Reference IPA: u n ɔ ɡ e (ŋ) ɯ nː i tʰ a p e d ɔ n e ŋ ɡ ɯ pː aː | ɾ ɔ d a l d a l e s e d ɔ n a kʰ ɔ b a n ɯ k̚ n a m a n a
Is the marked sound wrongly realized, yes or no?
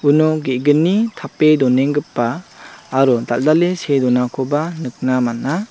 yes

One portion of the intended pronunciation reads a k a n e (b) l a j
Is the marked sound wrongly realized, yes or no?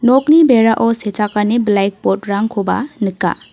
no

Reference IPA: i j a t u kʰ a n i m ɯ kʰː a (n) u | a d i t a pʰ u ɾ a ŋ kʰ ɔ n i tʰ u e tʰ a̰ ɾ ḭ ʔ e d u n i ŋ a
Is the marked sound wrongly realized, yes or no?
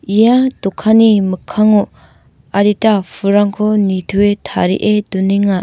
yes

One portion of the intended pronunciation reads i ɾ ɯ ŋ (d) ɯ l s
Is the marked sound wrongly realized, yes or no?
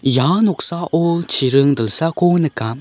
no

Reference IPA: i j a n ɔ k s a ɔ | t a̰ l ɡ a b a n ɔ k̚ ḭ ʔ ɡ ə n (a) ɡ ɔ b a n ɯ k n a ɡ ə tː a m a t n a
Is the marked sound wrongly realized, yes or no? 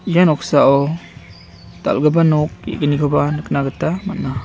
yes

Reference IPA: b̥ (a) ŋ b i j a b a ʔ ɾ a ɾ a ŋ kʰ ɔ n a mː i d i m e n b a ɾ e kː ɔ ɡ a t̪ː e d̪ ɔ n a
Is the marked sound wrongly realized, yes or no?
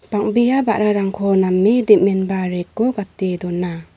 no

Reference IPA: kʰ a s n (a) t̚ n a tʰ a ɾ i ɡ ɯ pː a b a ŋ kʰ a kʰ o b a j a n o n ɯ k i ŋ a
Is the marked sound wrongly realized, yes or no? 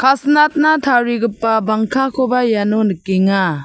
no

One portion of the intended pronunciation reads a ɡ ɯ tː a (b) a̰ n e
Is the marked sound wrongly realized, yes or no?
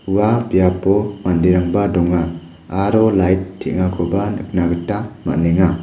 yes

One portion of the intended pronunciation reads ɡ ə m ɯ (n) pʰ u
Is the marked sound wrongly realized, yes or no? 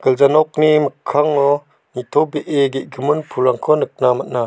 no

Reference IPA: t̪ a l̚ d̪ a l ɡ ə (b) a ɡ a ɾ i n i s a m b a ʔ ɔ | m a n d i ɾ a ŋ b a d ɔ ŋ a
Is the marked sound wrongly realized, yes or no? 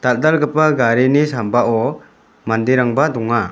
yes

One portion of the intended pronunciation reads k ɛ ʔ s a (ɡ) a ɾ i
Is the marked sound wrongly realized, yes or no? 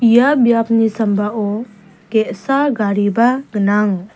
no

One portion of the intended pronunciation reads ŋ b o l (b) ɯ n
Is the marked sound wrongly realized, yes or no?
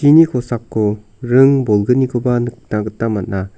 yes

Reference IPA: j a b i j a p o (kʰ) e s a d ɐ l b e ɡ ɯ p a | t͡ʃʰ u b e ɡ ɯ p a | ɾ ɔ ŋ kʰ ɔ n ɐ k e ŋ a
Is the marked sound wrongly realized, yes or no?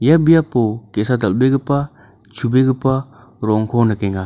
yes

